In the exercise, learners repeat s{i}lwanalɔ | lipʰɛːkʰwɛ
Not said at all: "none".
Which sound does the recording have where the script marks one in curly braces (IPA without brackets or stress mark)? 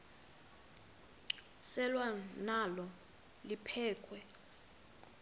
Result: ɛ